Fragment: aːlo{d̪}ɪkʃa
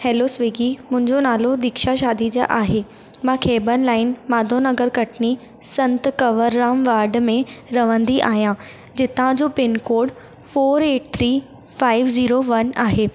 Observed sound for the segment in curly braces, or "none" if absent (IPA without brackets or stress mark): d̪